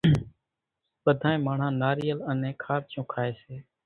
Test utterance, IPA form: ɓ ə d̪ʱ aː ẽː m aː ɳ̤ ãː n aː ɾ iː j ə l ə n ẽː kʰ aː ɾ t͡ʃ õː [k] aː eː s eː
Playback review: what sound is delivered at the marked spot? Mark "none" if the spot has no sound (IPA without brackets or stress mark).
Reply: kʰ